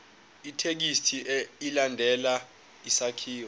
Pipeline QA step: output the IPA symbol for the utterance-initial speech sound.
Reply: i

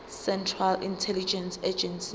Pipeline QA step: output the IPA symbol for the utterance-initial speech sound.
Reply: s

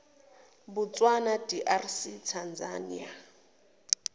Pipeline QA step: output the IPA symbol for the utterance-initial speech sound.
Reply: b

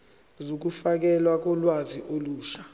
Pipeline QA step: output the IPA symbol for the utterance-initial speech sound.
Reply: z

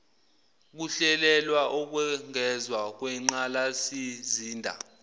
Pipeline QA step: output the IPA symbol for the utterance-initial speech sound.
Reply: k̬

